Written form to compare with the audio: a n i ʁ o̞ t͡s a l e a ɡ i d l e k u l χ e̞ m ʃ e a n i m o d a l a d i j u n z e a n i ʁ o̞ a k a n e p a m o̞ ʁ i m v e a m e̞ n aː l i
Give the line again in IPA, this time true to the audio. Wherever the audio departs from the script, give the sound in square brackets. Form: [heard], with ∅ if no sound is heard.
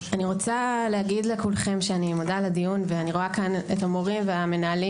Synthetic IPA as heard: a n i ʁ o̞ t͡s a l e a ɡ i d l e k u l χ e̞ m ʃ e a n i m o d a l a d i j u n [v] e a n i ʁ o̞ a k a n e [t] a m o̞ ʁ i m v e a m e̞ n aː l i